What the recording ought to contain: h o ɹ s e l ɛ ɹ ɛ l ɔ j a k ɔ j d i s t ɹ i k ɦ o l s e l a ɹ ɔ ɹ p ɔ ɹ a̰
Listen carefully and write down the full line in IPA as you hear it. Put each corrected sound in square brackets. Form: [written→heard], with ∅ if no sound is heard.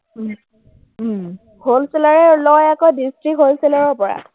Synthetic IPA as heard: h o [ɹ→l] s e l [ɛ→a] ɹ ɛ l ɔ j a k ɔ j d i s t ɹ i k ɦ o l s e l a ɹ ɔ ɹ p ɔ ɹ a̰